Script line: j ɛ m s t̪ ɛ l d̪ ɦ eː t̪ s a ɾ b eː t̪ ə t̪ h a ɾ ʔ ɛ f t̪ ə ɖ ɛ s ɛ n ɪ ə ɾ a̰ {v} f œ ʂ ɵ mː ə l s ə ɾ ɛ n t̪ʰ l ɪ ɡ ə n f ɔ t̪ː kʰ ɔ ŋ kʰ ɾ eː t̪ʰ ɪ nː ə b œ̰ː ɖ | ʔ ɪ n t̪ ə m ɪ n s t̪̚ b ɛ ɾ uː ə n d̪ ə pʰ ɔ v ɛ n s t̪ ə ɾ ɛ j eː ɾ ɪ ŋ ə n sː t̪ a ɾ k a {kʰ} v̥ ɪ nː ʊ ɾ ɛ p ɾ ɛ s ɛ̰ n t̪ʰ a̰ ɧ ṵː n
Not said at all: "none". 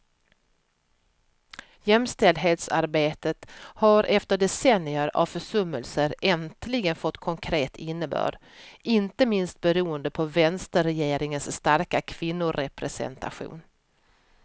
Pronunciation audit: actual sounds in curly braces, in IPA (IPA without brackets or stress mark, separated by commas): v, kʰ